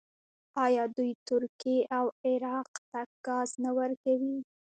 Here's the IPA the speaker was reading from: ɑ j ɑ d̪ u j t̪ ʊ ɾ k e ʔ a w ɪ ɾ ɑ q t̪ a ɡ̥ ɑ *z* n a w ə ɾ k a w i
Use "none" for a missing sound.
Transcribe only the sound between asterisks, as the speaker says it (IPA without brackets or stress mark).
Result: z